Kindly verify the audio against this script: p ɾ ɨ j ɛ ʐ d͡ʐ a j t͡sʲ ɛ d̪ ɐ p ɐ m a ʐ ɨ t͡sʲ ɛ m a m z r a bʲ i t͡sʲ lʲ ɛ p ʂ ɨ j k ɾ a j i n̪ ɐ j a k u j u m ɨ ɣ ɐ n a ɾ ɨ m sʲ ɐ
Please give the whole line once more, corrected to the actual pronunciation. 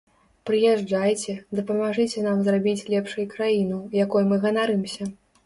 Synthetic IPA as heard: p ɾ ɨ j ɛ ʐ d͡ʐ a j t͡sʲ ɛ d̪ ɐ p ɐ m a ʐ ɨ t͡sʲ ɛ n a m z r a bʲ i t͡sʲ lʲ ɛ p ʂ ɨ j k ɾ a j i n̪ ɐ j a k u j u m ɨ ɣ ɐ n a ɾ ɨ m sʲ ɐ